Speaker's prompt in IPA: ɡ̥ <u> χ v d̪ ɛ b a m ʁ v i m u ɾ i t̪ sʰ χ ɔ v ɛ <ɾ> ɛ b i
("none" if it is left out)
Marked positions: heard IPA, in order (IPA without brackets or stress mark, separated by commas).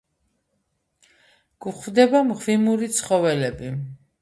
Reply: u, l